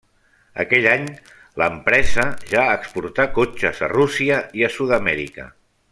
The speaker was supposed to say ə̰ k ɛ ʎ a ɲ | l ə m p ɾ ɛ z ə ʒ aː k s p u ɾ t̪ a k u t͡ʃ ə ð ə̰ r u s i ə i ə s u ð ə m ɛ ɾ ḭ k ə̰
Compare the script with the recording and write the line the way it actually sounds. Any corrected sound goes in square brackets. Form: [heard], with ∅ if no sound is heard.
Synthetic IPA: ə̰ k ɛ ʎ a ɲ | l ə m p ɾ ɛ z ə ʒ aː k s p u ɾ t̪ a k [o] t͡ʃ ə [z] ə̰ r u s i ə i ə s u ð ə m ɛ ɾ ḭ k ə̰